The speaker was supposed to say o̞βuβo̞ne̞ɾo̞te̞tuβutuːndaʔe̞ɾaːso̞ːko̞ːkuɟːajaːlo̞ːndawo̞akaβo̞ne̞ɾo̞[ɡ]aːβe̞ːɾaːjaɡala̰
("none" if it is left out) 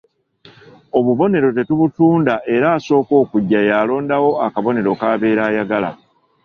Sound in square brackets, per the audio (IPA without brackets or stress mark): k